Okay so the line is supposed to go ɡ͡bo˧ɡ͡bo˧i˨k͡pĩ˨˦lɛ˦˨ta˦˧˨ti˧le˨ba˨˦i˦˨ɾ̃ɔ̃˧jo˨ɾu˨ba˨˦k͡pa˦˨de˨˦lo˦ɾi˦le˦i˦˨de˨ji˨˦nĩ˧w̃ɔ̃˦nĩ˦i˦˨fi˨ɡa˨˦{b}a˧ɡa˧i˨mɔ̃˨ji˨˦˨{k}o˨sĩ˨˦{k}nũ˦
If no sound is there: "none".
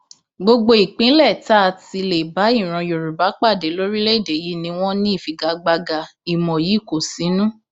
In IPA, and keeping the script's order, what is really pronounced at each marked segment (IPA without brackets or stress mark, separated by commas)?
ɡ͡b, k, none